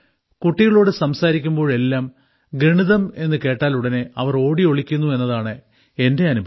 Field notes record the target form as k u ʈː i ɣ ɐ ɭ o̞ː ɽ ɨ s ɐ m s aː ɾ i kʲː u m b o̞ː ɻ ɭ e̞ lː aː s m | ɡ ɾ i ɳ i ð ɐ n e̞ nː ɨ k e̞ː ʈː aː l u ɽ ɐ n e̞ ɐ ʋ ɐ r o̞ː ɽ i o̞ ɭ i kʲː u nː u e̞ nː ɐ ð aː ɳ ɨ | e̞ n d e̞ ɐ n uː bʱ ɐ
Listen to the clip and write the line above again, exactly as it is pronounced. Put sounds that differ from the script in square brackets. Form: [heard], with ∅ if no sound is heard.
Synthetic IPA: k u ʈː i ɣ ɐ ɭ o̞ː ɽ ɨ s ɐ m s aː ɾ i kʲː u m b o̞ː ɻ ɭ e̞ lː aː [∅] m | ɡ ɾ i ɳ i ð ɐ [m] e̞ nː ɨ k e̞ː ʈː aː l u ɽ ɐ n e̞ ɐ ʋ ɐ r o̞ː ɽ i o̞ ɭ i kʲː u nː u e̞ nː ɐ ð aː ɳ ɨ | e̞ n d e̞ ɐ n [u] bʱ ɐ